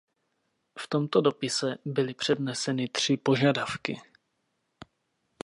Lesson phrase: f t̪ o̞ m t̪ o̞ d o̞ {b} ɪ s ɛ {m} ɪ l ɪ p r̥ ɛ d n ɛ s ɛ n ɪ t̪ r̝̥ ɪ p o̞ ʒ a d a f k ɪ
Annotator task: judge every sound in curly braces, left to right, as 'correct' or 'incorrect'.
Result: incorrect: p, incorrect: b

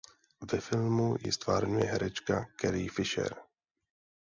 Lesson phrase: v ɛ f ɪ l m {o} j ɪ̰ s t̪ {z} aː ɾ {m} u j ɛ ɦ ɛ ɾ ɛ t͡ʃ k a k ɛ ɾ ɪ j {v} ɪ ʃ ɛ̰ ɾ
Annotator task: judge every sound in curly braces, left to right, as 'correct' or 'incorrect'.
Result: incorrect: u, incorrect: v, incorrect: ɲ, incorrect: f

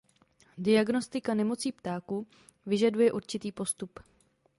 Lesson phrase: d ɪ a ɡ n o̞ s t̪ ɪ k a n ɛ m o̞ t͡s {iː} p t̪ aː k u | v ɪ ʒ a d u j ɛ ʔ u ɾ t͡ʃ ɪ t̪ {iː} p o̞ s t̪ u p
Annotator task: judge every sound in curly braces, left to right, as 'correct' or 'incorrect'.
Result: correct, correct

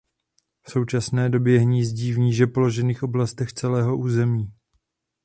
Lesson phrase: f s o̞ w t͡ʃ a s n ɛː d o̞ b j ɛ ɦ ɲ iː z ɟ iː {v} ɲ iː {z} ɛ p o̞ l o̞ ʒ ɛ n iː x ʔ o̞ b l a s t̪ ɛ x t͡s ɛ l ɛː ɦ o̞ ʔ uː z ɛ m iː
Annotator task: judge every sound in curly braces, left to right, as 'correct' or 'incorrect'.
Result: correct, incorrect: ʒ

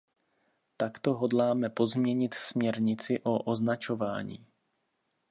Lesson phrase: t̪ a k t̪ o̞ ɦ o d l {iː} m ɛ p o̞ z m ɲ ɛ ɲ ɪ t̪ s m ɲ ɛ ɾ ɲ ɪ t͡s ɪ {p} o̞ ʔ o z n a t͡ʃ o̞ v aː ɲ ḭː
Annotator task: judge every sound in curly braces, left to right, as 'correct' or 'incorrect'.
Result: incorrect: aː, incorrect: ʔ

